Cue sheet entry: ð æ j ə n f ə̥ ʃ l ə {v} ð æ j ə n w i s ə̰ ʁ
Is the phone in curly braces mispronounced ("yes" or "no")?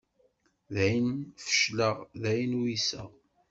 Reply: yes